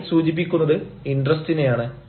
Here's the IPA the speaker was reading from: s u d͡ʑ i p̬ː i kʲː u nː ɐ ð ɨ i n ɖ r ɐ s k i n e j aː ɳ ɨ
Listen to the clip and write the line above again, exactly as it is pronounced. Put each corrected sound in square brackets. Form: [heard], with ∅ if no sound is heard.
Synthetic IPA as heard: s [uː] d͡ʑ i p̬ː i kʲː u nː ɐ ð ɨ i n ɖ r ɐ s [t] i n e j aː ɳ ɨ